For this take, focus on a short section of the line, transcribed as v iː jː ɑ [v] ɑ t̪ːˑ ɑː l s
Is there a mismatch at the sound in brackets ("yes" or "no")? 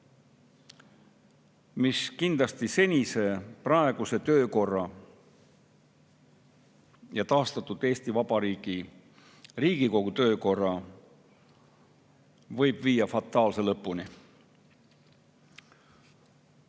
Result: yes